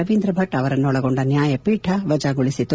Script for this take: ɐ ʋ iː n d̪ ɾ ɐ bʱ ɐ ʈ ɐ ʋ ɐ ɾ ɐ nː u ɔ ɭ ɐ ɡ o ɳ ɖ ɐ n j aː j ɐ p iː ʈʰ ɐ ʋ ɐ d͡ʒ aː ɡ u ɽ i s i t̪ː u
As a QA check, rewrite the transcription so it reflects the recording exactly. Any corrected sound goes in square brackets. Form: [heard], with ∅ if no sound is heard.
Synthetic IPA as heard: ɐ ʋ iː n d̪ ɾ ɐ bʱ ɐ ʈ ɐ ʋ ɐ ɾ ɐ nː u ɔ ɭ ɐ ɡ o ɳ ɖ ɐ n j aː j ɐ p iː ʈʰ ɐ ʋ ɐ d͡ʒ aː ɡ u [ɭ] i s i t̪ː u